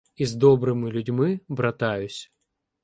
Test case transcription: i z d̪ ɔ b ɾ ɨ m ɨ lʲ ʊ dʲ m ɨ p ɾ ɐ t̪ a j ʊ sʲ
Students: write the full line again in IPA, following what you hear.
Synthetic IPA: i z d̪ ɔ b ɾ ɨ m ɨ lʲ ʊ dʲ m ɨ b ɾ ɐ t̪ a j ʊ sʲ